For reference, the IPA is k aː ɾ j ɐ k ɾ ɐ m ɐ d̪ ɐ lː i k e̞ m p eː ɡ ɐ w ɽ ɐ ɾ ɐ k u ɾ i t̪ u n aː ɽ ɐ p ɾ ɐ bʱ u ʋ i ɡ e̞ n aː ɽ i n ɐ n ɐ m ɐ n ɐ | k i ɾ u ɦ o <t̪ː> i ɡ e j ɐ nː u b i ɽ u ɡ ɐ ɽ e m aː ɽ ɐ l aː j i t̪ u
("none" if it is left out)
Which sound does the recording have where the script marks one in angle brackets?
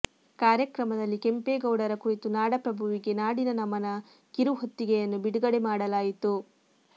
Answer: t̪ː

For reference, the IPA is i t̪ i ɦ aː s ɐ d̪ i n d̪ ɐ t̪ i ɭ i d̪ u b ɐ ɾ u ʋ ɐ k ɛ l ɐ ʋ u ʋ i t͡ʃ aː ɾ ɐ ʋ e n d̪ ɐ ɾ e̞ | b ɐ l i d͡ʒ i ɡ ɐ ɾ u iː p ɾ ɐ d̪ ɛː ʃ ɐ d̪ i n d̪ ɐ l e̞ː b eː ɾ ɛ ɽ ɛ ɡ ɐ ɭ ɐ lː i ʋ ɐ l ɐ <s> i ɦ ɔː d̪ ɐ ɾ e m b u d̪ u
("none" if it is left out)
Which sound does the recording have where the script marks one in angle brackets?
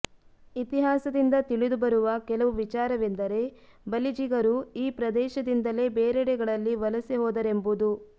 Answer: s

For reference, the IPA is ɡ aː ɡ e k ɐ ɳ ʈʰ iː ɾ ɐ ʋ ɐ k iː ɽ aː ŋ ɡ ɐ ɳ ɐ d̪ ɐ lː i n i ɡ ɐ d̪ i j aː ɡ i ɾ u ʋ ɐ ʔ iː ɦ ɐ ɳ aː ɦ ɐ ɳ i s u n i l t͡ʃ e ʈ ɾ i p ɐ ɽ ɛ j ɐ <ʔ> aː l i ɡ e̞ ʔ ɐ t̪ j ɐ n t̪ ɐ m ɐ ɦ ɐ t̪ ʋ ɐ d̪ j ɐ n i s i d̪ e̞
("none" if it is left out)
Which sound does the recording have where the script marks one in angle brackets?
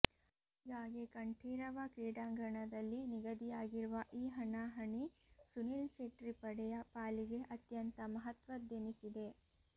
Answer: p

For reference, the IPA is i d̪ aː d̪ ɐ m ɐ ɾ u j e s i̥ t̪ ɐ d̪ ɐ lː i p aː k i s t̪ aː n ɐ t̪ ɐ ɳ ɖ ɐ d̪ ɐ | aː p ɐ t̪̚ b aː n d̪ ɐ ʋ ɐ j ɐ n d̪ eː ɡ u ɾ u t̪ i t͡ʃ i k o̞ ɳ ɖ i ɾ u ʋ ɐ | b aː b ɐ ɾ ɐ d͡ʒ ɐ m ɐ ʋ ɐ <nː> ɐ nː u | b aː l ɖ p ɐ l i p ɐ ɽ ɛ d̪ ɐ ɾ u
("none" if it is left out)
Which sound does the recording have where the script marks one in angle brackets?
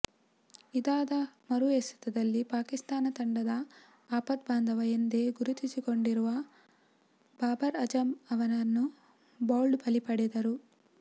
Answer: n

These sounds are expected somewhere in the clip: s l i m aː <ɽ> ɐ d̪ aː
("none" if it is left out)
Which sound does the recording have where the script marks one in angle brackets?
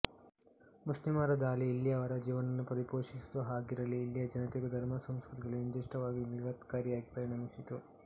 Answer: ɾ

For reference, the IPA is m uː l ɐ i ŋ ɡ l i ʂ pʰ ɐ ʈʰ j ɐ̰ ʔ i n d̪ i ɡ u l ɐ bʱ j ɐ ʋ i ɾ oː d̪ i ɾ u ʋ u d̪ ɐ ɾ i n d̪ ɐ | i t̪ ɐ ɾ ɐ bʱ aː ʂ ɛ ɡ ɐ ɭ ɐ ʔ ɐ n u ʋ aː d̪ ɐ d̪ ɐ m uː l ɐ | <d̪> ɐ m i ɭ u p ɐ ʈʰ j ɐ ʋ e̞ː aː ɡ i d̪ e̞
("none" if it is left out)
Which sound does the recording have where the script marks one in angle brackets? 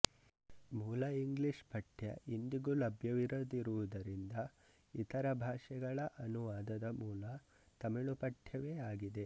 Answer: t̪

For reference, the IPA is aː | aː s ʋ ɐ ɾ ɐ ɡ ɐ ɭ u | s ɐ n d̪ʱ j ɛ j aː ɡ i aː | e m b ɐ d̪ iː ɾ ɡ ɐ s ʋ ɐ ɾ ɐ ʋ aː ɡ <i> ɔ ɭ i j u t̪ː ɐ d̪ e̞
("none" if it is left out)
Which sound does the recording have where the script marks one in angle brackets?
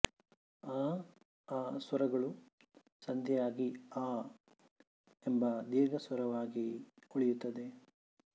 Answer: i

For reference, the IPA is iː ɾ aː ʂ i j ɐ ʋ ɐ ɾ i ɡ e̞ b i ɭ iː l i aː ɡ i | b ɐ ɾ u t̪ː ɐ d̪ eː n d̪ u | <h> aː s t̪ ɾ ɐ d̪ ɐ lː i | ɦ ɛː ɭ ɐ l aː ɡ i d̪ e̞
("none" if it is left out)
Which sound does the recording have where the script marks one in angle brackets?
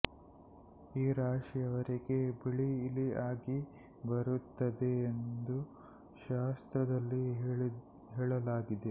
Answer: ʃ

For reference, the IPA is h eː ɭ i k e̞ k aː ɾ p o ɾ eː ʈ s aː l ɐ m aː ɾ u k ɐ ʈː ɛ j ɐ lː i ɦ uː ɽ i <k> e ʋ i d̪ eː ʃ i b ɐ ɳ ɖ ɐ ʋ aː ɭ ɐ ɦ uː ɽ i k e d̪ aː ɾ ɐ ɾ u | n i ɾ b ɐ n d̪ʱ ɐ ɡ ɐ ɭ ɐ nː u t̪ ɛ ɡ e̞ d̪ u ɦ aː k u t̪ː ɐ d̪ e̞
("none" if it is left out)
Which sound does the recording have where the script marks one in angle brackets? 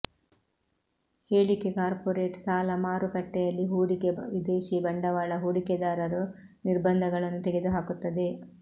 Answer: k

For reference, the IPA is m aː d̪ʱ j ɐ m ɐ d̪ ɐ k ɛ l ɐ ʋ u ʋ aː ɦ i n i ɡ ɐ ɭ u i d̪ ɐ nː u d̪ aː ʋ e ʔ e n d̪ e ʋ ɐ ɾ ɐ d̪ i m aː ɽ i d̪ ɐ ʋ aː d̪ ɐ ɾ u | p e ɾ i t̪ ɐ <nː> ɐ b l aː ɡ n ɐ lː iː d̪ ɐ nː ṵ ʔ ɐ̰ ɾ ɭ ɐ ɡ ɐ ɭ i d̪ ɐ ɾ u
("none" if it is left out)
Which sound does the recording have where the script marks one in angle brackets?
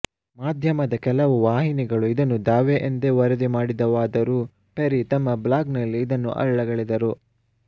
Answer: mː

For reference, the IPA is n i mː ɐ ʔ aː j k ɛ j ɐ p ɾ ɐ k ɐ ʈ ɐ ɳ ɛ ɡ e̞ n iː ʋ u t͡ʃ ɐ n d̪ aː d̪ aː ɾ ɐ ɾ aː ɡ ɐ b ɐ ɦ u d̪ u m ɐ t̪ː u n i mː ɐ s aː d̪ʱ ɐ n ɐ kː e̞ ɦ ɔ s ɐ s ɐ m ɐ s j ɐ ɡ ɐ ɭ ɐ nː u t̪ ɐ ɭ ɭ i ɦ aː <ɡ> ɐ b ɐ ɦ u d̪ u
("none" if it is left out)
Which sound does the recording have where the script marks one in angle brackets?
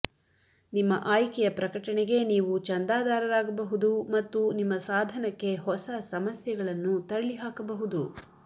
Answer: k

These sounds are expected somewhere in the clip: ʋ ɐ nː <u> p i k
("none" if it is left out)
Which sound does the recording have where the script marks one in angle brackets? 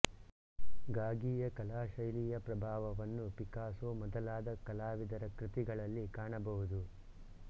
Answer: u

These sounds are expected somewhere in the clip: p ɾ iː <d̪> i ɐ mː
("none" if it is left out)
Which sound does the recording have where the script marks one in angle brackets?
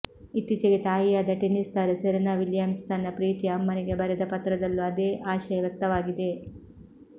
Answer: t̪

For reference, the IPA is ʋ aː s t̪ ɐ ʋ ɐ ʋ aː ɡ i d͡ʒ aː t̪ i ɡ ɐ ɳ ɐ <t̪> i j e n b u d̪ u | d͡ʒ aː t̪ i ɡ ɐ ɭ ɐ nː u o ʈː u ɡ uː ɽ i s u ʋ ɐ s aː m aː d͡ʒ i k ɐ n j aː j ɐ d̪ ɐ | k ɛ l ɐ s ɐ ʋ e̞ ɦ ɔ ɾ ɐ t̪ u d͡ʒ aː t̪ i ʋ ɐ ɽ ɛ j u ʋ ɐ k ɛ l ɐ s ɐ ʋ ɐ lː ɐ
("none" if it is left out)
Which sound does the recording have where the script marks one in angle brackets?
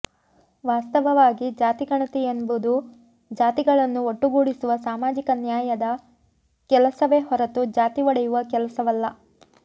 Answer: t̪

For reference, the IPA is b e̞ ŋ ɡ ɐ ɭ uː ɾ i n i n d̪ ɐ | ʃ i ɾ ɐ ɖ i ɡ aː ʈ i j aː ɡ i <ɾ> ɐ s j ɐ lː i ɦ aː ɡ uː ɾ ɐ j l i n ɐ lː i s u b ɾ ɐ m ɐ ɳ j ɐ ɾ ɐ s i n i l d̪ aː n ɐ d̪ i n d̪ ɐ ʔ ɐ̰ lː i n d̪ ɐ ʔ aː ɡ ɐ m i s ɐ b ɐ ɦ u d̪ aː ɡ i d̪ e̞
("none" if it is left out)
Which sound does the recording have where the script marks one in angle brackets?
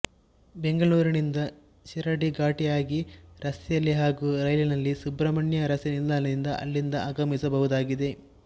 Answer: ɾ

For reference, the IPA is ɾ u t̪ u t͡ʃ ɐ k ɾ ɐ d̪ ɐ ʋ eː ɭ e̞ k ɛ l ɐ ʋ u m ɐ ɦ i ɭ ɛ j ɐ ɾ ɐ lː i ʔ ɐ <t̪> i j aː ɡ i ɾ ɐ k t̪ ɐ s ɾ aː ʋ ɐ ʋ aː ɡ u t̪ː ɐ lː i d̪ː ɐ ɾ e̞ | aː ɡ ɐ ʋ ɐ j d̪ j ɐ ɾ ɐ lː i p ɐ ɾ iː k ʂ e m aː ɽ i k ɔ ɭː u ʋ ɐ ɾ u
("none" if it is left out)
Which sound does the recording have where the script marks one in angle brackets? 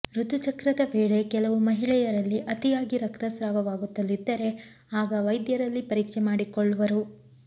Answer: t̪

